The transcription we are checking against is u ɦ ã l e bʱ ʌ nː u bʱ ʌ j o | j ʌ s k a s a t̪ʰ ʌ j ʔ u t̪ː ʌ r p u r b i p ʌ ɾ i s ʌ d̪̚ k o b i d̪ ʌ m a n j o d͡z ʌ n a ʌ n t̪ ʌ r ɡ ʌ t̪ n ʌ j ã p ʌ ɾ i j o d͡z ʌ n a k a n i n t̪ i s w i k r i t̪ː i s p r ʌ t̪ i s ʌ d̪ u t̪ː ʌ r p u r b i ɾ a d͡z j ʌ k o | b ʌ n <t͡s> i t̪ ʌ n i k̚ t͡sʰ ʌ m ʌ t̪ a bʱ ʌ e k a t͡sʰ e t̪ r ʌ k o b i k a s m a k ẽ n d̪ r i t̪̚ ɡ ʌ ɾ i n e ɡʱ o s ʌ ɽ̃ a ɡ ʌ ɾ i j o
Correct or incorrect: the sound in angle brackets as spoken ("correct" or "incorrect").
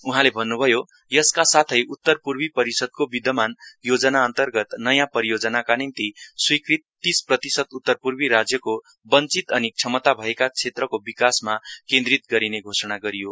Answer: correct